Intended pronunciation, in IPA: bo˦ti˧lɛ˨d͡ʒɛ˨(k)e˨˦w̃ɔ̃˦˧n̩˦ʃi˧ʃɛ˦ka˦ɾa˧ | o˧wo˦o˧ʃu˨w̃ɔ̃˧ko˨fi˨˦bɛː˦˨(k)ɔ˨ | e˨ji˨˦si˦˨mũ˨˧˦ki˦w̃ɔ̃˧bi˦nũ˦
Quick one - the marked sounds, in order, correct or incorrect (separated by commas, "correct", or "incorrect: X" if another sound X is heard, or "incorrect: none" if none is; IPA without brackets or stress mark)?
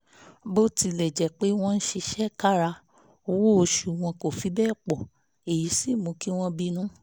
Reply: incorrect: k͡p, incorrect: k͡p